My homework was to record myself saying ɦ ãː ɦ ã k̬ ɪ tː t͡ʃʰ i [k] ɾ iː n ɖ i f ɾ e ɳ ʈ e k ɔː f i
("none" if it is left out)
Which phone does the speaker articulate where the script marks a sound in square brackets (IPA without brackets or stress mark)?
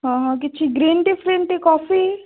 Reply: ɡ